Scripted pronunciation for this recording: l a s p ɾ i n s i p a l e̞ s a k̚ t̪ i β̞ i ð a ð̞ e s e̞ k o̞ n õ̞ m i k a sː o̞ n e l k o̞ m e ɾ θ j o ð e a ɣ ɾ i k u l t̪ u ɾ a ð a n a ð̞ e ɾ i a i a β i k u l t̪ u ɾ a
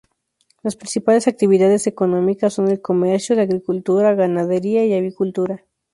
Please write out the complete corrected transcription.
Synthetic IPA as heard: l a s p ɾ i n s i p a l e̞ s a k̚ t̪ i β̞ i ð a ð̞ e s e̞ k o̞ n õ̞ m i k a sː o̞ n e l k o̞ m e ɾ s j o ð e a ɣ ɾ i k u l t̪ u ɾ a ɣ a n a ð̞ e ɾ i a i a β i k u l t̪ u ɾ a